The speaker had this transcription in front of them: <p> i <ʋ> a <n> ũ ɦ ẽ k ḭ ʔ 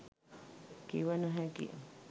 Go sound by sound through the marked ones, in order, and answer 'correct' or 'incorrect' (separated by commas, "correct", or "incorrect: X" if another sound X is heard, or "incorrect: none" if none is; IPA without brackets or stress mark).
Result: incorrect: k, incorrect: w, correct